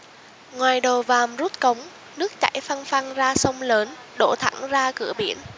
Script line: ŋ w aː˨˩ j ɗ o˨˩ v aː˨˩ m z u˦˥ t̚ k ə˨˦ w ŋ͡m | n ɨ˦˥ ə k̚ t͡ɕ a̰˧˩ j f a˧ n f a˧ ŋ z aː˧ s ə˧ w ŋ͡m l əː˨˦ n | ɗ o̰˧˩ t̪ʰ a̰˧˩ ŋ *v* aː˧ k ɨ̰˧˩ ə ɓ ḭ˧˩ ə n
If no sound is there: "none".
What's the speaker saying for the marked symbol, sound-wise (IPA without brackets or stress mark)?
z